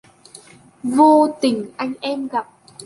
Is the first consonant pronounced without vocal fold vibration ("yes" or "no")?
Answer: no